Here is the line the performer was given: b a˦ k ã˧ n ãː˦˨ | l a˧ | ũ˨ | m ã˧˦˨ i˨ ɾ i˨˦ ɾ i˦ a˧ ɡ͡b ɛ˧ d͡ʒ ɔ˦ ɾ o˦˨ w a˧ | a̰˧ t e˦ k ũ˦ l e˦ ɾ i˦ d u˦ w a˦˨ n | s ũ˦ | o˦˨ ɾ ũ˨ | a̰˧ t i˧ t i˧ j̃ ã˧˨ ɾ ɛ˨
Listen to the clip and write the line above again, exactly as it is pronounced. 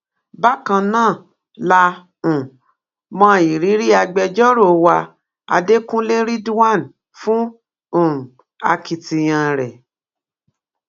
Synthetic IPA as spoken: b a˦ k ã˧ n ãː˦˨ | l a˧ | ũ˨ | m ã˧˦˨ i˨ ɾ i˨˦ ɾ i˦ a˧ ɡ͡b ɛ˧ d͡ʒ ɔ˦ ɾ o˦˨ w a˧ | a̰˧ d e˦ k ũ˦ l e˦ ɾ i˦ d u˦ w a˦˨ n | f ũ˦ | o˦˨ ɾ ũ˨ | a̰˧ k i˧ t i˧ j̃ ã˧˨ ɾ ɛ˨

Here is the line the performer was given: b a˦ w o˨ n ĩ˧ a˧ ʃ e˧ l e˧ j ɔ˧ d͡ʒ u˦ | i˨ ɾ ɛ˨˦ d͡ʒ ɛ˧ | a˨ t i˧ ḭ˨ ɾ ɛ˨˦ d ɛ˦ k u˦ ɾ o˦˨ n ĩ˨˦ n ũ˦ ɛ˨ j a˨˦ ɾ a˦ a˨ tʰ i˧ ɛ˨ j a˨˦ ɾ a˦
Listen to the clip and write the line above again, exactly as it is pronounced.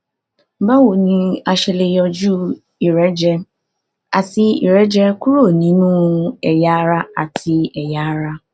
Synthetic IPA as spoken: b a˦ w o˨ n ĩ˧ a˧ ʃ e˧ l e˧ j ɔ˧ d͡ʒ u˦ | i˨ ɾ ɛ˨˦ d͡ʒ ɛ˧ | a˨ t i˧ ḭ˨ ɾ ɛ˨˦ d͡ʒ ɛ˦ k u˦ ɾ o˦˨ n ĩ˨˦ n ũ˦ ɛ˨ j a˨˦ ɾ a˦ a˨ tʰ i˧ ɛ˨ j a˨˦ ɾ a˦

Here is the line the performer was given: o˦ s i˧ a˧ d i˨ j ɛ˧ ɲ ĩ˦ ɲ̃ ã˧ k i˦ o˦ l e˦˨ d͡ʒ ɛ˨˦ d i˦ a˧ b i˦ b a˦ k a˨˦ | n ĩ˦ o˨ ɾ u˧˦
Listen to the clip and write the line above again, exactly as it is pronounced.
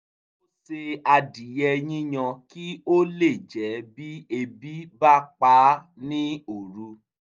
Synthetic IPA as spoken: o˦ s e˧ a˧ d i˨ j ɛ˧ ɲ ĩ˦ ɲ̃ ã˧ k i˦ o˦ l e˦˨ d͡ʒ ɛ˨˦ b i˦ e˧ b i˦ b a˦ k͡p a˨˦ | n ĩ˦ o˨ ɾ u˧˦

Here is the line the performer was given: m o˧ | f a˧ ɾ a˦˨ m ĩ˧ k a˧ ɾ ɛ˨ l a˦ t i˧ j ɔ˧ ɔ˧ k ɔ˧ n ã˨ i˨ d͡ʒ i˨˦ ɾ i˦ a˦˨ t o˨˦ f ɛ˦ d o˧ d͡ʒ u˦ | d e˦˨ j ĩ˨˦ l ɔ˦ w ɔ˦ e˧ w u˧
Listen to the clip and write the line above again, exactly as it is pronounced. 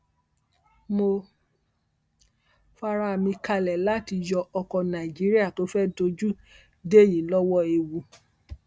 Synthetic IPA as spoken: m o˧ | f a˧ ɾ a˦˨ m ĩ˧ k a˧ l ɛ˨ l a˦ t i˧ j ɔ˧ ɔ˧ k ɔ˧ n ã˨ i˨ d͡ʒ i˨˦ ɾ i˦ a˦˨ t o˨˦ f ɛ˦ d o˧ d͡ʒ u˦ | d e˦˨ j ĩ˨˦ l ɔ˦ w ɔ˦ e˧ w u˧

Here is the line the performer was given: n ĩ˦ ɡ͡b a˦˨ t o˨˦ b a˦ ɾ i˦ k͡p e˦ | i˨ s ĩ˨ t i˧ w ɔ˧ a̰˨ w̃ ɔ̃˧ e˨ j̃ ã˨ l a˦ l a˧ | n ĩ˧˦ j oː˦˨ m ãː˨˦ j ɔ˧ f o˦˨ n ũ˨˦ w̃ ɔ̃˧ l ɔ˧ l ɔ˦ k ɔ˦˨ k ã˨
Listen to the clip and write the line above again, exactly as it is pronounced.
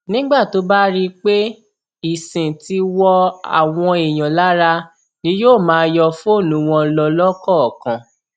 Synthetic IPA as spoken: n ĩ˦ ɡ͡b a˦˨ t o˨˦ b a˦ ɾ i˦ k͡p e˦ | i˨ s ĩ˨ t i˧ w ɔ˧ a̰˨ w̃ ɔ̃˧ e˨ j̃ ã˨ l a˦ ɾ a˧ | n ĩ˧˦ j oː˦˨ m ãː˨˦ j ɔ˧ f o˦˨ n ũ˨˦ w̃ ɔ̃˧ l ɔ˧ l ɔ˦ k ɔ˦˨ k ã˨

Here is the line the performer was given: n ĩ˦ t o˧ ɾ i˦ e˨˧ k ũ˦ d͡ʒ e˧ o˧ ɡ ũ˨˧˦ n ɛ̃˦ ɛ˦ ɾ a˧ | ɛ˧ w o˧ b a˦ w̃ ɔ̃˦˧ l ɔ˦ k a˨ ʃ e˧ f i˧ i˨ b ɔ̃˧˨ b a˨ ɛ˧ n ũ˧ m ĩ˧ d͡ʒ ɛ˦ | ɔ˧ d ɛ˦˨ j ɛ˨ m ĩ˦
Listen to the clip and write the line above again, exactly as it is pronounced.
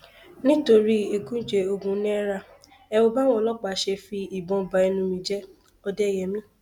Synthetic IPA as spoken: n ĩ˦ t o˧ ɾ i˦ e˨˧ k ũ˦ d͡ʒ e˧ o˧ ɡ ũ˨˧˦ n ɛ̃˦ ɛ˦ ɾ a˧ | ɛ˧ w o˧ b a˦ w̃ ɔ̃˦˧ l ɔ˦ k͡p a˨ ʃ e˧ f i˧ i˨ b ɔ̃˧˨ b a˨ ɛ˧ n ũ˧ m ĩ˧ d͡ʒ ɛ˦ | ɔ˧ d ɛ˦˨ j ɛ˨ m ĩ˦

